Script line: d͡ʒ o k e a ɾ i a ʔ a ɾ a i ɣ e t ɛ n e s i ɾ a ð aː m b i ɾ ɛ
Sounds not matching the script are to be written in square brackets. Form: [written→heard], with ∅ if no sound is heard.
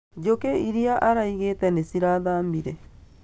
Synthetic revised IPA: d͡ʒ o k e [a→i] ɾ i a ʔ a ɾ a i ɣ e t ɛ n e s i ɾ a ð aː m b i ɾ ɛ